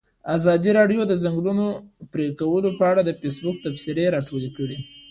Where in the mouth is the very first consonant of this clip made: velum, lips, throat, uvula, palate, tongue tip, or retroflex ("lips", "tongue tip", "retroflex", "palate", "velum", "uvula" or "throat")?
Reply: tongue tip